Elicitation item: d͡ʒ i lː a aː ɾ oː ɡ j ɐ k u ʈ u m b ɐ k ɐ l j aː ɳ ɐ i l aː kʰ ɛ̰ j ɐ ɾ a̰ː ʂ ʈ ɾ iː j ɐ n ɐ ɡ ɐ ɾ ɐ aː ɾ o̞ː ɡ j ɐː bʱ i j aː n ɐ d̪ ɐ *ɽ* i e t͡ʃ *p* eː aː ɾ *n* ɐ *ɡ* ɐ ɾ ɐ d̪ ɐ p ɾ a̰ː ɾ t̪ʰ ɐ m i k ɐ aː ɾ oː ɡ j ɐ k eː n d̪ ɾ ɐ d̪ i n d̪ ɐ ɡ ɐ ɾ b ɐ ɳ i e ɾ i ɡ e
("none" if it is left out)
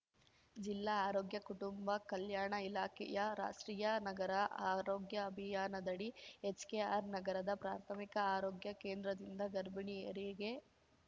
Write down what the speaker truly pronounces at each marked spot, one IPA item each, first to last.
ɽ, k, n, ɡ

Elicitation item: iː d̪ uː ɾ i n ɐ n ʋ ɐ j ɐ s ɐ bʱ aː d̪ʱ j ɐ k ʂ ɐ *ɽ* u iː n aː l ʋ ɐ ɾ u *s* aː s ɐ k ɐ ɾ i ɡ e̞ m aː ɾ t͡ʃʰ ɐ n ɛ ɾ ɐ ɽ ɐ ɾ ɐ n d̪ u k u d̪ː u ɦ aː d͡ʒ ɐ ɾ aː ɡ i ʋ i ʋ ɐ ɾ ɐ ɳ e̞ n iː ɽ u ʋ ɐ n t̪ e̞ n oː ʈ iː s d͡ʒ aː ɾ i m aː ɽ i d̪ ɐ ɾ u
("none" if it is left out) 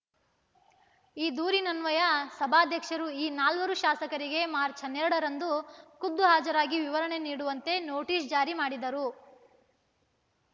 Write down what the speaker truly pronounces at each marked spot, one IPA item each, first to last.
ɾ, ʃ

